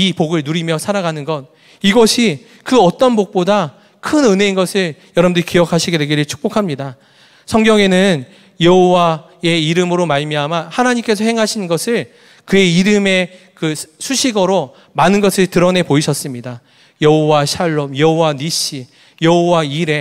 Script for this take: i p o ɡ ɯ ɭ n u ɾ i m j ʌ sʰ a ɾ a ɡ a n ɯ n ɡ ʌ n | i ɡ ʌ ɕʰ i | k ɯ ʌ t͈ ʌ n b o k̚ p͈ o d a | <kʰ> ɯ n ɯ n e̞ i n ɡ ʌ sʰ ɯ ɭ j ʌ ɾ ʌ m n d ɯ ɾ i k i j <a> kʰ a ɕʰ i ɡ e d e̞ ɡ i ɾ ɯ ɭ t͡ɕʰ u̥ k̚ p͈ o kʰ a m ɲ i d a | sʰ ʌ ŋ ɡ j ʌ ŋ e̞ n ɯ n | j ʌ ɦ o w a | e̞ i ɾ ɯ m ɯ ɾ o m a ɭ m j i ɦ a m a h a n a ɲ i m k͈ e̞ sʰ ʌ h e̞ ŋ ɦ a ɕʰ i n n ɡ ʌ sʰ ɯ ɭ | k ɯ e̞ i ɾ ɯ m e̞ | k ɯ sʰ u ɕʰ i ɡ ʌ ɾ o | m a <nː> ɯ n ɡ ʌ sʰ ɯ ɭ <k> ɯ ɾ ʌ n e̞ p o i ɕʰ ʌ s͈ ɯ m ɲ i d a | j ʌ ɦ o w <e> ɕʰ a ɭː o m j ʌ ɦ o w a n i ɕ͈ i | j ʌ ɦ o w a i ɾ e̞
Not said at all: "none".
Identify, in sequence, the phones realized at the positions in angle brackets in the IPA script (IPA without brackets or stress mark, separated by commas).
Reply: kʰ, ʌ, n, t, a